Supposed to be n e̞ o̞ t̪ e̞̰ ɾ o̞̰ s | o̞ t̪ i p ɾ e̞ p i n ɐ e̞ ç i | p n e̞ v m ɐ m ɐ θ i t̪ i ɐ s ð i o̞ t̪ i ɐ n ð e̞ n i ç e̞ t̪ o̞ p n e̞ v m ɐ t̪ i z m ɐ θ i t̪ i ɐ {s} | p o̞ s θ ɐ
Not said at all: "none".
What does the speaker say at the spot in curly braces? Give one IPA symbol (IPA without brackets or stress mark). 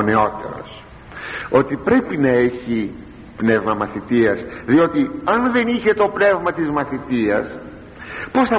s